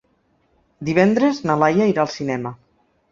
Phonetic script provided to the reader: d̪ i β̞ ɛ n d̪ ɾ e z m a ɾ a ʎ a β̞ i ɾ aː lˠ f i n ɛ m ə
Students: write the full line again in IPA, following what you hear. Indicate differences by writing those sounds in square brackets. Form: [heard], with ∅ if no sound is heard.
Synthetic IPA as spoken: d̪ i β̞ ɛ n d̪ ɾ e z [n] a [l] a [j] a [∅] i ɾ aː lˠ [s] i n ɛ m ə

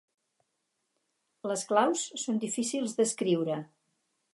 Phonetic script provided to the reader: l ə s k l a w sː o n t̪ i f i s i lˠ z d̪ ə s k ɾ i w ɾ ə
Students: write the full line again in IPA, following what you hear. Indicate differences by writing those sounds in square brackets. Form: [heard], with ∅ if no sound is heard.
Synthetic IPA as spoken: l ə s k l a w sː o n [d̪] i f i s i lˠ z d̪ ə s k ɾ i w ɾ ə

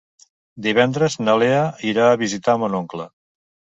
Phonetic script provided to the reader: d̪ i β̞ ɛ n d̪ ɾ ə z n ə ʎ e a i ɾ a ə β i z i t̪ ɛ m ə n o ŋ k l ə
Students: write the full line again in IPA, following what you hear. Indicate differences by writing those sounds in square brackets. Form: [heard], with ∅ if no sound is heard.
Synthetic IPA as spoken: d̪ i β̞ ɛ n d̪ ɾ ə z n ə [l] e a i ɾ a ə β i z i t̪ [a] m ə n o ŋ k l ə

